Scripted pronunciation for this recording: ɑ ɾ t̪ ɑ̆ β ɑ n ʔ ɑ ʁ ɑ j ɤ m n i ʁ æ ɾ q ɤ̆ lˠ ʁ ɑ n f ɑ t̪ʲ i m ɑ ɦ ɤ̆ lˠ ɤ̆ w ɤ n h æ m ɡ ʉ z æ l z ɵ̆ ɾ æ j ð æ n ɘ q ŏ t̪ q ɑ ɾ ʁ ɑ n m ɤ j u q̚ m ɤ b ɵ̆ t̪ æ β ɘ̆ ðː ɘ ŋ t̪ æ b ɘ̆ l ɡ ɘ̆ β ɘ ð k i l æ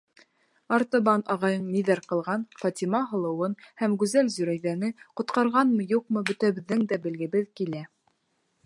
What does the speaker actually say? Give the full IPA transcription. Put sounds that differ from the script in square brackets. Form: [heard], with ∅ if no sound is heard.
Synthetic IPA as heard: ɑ ɾ t̪ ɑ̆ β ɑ n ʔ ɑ ʁ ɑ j ɤ [ɴ] n i [ð] æ ɾ q ɤ̆ lˠ ʁ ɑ n f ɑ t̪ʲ i m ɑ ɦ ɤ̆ lˠ ɤ̆ w ɤ n h æ m ɡ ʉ z æ l z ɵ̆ ɾ æ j ð æ n ɘ q ŏ t̪ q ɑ ɾ ʁ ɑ n m ɤ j u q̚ m ɤ b ɵ̆ t̪ æ β ɘ̆ ðː ɘ ŋ [d̪] æ b ɘ̆ l ɡ ɘ̆ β ɘ ð k i l æ